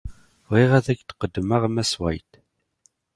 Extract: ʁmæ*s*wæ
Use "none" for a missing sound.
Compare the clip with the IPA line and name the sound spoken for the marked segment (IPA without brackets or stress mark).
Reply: s